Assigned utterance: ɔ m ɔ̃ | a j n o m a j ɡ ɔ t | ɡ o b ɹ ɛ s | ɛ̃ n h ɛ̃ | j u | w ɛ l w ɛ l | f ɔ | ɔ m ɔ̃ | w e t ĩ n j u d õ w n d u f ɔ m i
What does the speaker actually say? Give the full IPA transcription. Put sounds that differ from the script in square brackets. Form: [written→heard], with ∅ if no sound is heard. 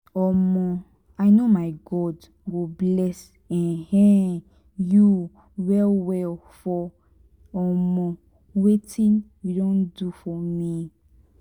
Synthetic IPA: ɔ m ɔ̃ | a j n o m a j ɡ ɔ [t→d] | ɡ o b [ɹ→l] ɛ s | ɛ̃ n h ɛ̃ | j u | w ɛ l w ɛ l | f ɔ | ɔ m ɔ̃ | w e t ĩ n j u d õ [w→∅] n d u f ɔ m i

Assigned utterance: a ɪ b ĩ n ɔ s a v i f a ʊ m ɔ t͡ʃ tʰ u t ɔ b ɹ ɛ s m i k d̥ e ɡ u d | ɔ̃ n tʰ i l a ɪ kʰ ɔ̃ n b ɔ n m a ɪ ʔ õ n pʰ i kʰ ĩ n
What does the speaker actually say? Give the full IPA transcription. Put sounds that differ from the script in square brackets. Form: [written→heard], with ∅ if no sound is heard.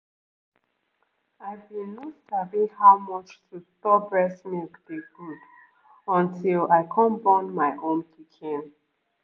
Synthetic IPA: a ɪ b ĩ n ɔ s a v i [f→h] a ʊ m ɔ t͡ʃ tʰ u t ɔ b ɹ ɛ s m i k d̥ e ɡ u d | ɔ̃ n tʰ i l a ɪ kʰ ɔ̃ n b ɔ n m a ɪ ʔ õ n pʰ i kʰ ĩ n

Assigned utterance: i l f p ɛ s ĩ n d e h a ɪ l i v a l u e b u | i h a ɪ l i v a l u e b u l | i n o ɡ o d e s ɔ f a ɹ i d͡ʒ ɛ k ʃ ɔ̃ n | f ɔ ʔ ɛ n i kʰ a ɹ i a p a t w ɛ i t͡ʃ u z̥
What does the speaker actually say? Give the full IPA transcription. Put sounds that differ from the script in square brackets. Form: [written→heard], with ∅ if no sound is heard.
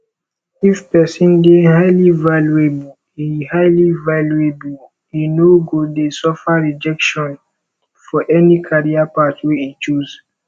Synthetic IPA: i [l→∅] f p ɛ s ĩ n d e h a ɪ l i v a l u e b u | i h a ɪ l i v a l u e b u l | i n o ɡ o d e s ɔ f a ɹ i d͡ʒ ɛ k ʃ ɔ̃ n | f ɔ ʔ ɛ n i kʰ a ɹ i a p a t w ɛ i t͡ʃ u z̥

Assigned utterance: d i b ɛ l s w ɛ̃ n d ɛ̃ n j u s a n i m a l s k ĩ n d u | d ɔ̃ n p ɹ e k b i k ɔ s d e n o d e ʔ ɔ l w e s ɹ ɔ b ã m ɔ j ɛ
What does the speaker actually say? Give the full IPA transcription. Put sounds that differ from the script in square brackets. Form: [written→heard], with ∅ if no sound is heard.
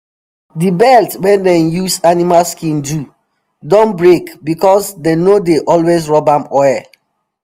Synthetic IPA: d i b ɛ l [s→t] w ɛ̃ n d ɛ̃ n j u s a n i m a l s k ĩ n d u | d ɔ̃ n [p→b] ɹ e k b i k ɔ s d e n o d e ʔ ɔ l w e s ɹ ɔ b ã m ɔ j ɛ

